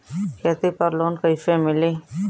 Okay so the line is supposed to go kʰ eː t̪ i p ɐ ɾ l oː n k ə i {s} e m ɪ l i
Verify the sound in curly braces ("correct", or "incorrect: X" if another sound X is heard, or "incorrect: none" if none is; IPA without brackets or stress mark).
incorrect: f